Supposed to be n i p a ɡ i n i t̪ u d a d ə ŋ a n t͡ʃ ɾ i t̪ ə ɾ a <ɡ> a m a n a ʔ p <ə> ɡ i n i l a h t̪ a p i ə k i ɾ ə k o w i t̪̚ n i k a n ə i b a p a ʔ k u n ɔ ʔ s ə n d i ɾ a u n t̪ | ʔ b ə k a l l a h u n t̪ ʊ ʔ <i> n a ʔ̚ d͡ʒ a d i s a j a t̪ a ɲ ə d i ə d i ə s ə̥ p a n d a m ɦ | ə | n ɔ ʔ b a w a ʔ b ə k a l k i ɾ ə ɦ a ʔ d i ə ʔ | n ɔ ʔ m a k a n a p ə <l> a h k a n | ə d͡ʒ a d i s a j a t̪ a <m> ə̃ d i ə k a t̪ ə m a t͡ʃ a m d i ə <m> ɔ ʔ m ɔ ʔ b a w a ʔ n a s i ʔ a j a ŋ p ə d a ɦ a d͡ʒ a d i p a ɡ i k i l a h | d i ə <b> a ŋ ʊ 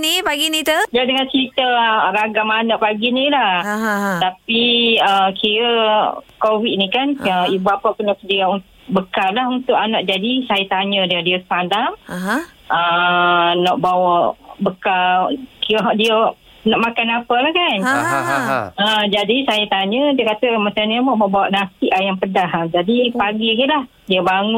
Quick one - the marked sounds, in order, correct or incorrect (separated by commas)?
correct, incorrect, incorrect, correct, incorrect, correct, correct